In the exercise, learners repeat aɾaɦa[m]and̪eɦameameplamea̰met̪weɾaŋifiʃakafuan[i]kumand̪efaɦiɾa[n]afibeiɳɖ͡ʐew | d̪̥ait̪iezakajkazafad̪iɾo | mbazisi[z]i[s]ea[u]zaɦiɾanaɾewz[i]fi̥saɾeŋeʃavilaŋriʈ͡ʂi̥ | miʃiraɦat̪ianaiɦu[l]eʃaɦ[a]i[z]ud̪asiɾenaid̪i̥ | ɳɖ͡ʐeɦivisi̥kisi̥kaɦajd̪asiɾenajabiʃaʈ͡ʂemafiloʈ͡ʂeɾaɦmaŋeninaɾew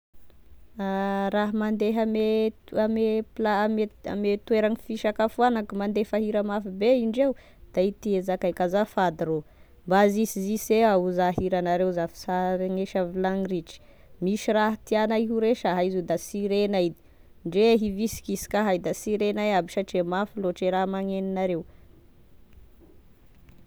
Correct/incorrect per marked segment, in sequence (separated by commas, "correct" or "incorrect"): correct, incorrect, incorrect, correct, correct, correct, incorrect, incorrect, correct, correct